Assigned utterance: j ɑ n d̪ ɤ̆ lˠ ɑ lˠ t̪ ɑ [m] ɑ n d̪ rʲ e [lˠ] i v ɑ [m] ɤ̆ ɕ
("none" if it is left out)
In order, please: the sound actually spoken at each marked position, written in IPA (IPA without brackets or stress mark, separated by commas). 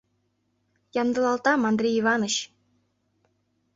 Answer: m, none, n